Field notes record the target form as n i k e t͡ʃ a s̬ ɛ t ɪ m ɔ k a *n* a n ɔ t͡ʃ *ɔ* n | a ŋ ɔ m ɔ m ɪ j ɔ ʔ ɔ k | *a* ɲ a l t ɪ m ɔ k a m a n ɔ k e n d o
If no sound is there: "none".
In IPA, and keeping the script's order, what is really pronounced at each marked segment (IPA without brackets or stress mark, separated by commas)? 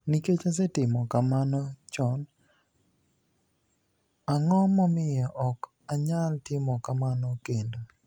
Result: m, ɔ, a